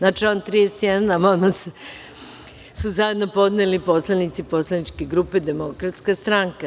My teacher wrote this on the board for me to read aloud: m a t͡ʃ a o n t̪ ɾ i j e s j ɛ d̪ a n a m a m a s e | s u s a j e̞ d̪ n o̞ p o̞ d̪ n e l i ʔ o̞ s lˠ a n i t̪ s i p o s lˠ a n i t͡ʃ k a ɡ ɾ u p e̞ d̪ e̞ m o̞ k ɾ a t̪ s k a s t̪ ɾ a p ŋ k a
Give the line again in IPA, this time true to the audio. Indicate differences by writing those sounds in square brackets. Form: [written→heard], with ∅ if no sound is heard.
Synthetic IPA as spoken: [m→n] a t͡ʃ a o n t̪ ɾ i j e s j ɛ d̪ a n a m a m a s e | s u [s→z] a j e̞ d̪ n o̞ p o̞ d̪ n e l i [ʔ→p] o̞ s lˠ a n i t̪ s i p o s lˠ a n i t͡ʃ k [a→e] ɡ ɾ u p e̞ d̪ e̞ m o̞ k ɾ a t̪ s k a s t̪ ɾ a [p→∅] ŋ k a

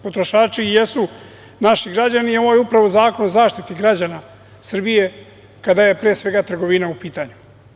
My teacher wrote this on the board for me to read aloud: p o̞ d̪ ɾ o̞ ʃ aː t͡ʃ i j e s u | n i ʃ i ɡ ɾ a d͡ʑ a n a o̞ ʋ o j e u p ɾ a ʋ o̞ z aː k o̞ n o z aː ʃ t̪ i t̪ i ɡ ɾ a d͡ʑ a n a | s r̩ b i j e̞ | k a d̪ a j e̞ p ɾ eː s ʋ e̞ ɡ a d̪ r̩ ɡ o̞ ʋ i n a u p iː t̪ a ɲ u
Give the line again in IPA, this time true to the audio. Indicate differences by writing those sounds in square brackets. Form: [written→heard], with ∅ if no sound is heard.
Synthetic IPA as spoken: p o̞ [d̪→t̪] ɾ o̞ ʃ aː t͡ʃ i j e s u | n [i→a] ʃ i ɡ ɾ a d͡ʑ a n [a→i] o̞ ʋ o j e u p ɾ a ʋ o̞ z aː k o̞ n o z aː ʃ t̪ i t̪ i ɡ ɾ a d͡ʑ a n a | s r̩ b i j e̞ | k a d̪ a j e̞ p ɾ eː s ʋ e̞ ɡ a [d̪→t̪] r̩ ɡ o̞ ʋ i n a u p iː t̪ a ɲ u

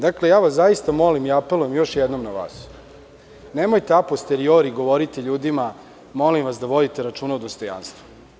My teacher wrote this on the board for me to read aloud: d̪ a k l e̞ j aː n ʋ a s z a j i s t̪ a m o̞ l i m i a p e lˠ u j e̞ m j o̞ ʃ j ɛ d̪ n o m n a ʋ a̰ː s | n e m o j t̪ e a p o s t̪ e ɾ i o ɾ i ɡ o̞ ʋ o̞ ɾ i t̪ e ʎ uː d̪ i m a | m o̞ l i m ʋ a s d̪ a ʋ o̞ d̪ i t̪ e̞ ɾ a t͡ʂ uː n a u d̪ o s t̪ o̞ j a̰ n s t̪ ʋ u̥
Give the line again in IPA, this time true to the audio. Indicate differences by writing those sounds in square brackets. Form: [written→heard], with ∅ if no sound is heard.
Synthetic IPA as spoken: d̪ a k l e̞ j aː [n→∅] ʋ a s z a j i s t̪ a m o̞ l i m i a p e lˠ u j e̞ m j o̞ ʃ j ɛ d̪ n o m n a ʋ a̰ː s | n e m o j t̪ e a p o s t̪ e ɾ i o ɾ i ɡ o̞ ʋ o̞ ɾ i t̪ e ʎ uː d̪ i m a | m o̞ l i m ʋ a s d̪ a ʋ o̞ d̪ i t̪ e̞ ɾ a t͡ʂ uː n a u d̪ o s t̪ o̞ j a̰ n s t̪ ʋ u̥

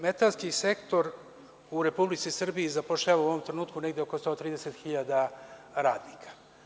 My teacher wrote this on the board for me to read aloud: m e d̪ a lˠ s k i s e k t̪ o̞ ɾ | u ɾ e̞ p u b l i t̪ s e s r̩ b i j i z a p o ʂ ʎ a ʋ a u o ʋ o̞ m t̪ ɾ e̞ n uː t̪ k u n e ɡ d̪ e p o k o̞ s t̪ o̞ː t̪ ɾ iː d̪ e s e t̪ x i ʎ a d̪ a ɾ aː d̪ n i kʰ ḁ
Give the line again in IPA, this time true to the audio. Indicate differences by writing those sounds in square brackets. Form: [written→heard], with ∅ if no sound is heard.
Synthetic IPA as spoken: m e [d̪→t̪] a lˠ s k i s e k t̪ o̞ ɾ | u ɾ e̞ p u b l i t̪ s [e→i] s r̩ b i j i z a p o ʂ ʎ a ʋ a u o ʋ o̞ m t̪ ɾ e̞ n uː t̪ k u n e ɡ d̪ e [p→∅] o k o̞ s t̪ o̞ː t̪ ɾ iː d̪ e s e t̪ x i ʎ a d̪ a ɾ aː d̪ n i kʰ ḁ

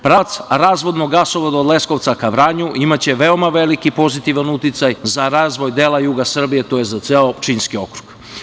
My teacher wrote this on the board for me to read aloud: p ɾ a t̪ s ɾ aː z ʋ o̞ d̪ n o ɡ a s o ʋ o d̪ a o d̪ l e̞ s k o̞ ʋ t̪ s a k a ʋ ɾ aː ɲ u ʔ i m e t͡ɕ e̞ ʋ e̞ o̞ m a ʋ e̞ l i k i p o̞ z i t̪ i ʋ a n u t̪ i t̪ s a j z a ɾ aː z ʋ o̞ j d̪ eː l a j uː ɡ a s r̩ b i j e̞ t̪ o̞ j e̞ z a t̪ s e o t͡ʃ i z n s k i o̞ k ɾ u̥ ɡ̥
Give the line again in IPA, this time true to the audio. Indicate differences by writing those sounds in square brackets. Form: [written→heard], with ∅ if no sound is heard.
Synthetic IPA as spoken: p ɾ a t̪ s ɾ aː z ʋ o̞ d̪ n o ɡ a s o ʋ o d̪ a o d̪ l e̞ s k o̞ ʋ t̪ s a k a ʋ ɾ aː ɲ u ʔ i m [e→a] t͡ɕ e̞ ʋ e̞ o̞ m a ʋ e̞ l i k i p o̞ z i t̪ i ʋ a n u t̪ i t̪ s a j z a ɾ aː z ʋ o̞ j d̪ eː l a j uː ɡ a s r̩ b i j e̞ t̪ o̞ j e̞ z a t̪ s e o t͡ʃ i [z→∅] n s k i o̞ k ɾ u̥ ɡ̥

